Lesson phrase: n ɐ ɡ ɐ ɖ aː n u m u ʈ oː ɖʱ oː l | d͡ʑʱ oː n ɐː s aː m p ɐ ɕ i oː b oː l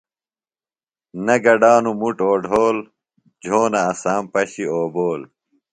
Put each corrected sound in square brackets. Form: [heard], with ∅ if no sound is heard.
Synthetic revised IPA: n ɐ ɡ ɐ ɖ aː n u m u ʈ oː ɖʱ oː l | d͡ʑʱ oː n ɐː s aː m p ɐ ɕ i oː b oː l